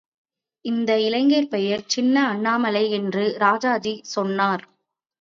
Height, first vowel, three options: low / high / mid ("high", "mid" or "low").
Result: high